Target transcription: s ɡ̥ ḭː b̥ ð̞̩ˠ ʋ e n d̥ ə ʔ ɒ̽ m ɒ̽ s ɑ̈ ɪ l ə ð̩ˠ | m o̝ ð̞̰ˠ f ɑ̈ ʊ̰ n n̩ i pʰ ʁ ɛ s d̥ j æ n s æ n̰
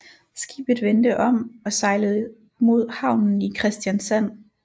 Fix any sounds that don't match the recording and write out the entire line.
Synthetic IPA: s ɡ̥ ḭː b̥ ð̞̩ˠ ʋ e n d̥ ə ʔ ɒ̽ m ɒ̽ s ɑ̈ ɪ l ə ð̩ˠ | m o̝ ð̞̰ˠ h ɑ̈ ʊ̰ n n̩ i kʰ ʁ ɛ s d̥ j æ n s æ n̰